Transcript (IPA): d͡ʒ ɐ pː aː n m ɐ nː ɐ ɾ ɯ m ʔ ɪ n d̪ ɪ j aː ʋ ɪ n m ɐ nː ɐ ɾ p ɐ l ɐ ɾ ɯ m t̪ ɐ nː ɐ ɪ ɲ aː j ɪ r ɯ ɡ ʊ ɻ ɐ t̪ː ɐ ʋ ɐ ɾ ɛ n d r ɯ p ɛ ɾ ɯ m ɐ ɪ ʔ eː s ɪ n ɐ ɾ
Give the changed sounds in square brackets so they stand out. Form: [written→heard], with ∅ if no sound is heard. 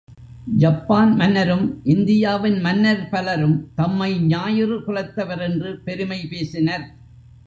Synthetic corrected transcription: d͡ʒ ɐ pː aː n m ɐ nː ɐ ɾ ɯ m ʔ ɪ n d̪ ɪ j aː ʋ ɪ n m ɐ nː ɐ ɾ p ɐ l ɐ ɾ ɯ m t̪ ɐ [nː→mː] ɐ ɪ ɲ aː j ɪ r ɯ [ɡ→k] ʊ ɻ ɐ t̪ː ɐ ʋ ɐ ɾ ɛ n d r ɯ p ɛ ɾ ɯ m ɐ ɪ [ʔ→p] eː s ɪ n ɐ ɾ